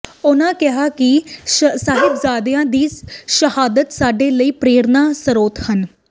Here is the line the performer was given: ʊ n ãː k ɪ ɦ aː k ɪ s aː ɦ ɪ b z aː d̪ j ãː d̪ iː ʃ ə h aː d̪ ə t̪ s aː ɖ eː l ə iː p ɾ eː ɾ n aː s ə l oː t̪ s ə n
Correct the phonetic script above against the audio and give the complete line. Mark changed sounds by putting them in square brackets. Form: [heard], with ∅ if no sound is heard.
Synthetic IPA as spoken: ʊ n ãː k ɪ ɦ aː k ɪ s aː ɦ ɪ b z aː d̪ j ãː d̪ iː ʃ ə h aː d̪ ə t̪ s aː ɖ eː l ə iː p ɾ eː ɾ n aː s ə [ɾ] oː t̪ [h] ə n